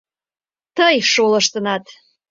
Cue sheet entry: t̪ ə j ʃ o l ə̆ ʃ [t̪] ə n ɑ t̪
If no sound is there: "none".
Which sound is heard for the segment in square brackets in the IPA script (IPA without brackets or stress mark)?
t̪